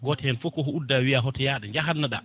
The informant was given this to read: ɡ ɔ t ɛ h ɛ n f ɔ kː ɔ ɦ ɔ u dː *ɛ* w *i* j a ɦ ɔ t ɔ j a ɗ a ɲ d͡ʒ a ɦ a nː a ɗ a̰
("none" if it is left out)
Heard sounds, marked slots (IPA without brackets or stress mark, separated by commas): a, i